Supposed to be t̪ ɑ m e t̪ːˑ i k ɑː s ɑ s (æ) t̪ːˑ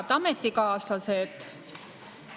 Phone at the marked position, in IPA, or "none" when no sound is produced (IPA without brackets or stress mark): e